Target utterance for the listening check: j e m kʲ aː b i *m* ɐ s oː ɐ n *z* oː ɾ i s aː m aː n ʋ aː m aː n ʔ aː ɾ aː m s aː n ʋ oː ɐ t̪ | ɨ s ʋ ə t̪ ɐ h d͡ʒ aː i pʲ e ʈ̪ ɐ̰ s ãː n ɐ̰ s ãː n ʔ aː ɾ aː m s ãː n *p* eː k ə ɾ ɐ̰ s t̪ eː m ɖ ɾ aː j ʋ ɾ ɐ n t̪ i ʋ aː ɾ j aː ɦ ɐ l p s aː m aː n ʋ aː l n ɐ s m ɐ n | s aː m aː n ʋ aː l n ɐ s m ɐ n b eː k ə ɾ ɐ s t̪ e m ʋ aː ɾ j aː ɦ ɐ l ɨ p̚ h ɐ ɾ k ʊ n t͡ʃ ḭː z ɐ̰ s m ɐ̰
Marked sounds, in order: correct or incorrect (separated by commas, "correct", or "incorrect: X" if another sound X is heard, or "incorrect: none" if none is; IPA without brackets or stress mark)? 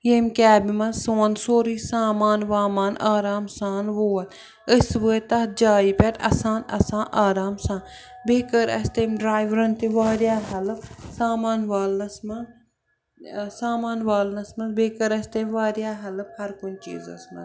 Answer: correct, incorrect: s, incorrect: b